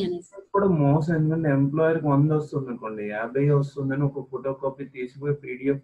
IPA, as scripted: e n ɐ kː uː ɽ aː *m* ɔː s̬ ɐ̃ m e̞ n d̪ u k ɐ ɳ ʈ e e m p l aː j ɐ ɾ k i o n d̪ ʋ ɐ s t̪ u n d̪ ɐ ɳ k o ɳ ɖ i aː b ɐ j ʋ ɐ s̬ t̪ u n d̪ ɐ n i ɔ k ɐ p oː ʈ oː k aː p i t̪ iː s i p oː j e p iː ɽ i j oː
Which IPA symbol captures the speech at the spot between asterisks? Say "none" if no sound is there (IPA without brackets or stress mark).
m